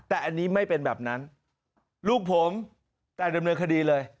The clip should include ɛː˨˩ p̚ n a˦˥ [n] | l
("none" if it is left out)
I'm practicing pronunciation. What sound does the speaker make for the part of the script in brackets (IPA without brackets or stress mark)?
n